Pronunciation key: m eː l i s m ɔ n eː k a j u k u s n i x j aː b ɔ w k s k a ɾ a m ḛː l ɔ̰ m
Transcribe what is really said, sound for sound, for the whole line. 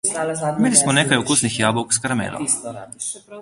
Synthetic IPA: m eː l i s m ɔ n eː k a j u k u s n i x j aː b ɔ w k s k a ɾ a m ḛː l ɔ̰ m